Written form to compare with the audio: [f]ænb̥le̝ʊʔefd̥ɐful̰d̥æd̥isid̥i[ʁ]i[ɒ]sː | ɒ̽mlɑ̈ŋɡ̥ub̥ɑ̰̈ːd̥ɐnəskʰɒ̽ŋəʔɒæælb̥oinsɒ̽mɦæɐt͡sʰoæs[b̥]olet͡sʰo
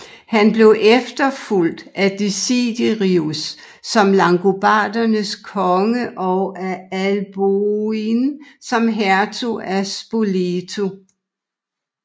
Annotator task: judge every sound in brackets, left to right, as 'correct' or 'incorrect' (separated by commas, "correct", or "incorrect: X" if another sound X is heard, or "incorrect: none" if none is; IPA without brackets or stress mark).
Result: incorrect: h, correct, incorrect: u, correct